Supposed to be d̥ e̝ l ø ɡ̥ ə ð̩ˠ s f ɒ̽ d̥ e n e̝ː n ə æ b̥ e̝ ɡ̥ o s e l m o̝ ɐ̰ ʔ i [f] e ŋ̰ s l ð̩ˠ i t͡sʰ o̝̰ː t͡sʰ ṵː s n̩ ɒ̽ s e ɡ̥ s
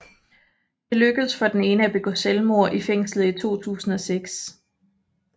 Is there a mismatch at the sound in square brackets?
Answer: no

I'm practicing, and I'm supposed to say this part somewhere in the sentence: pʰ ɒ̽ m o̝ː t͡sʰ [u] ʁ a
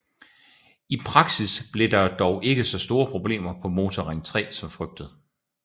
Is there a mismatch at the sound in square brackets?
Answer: yes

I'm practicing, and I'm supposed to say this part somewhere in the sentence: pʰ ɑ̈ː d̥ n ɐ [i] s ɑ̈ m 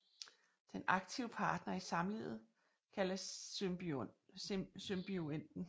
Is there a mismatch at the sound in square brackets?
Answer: no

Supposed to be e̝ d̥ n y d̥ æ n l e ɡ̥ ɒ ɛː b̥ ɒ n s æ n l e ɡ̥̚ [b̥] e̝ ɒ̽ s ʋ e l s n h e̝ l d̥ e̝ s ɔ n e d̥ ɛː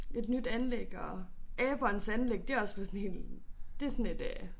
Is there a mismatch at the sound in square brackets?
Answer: yes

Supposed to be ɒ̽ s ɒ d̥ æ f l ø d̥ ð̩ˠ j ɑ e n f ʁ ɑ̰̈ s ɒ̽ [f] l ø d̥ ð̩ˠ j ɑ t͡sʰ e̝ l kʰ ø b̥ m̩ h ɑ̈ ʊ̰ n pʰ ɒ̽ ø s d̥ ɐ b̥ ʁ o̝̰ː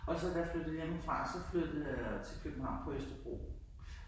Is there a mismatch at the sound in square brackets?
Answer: no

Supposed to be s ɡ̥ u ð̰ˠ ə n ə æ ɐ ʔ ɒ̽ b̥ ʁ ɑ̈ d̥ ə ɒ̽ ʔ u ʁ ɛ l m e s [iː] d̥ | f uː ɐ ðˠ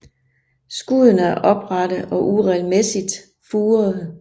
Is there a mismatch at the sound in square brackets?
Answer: yes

